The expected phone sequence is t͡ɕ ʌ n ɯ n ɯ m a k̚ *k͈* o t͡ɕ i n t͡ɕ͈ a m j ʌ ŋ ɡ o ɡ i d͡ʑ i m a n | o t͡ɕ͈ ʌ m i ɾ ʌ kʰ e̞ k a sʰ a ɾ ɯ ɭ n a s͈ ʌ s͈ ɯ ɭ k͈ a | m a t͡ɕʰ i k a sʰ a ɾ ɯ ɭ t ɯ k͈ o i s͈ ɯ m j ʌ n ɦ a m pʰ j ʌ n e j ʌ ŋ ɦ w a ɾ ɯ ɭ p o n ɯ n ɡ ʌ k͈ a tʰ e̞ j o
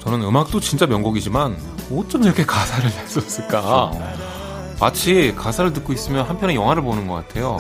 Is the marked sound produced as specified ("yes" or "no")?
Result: no